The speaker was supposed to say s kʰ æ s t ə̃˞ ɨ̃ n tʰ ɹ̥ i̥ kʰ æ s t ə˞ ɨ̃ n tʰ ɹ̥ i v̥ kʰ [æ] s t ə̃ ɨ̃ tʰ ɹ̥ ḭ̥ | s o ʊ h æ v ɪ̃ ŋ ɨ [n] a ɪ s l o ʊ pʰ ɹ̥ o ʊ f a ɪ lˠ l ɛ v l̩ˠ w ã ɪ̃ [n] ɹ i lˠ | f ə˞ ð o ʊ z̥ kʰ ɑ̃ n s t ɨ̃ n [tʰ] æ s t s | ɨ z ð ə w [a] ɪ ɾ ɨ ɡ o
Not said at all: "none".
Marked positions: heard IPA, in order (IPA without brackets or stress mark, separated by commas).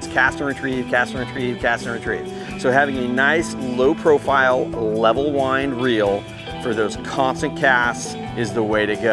æ, n, n, kʰ, e